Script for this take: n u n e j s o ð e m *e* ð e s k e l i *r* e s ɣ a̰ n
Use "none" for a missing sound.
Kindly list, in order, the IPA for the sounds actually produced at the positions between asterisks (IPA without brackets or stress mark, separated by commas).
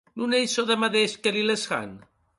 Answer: a, l